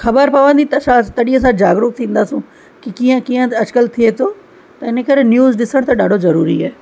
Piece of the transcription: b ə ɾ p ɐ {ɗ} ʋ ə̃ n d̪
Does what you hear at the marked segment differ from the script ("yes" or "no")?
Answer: yes